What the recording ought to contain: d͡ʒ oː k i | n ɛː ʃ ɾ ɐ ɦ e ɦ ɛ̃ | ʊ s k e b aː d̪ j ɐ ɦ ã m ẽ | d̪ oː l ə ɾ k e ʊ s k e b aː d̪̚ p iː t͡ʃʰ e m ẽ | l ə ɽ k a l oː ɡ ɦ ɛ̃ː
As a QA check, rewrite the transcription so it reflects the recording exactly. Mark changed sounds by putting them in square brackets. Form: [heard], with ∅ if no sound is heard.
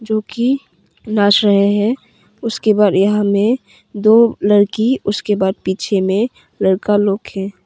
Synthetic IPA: d͡ʒ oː k i | n [aː] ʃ ɾ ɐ ɦ e ɦ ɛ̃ | ʊ s k e b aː d̪ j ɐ ɦ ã m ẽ | d̪ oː l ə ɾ k [i] ʊ s k e b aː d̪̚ p iː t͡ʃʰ e m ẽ | l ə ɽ k a l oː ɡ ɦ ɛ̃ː